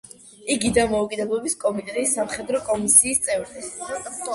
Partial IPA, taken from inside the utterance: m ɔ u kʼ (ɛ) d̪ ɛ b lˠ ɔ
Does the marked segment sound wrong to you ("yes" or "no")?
yes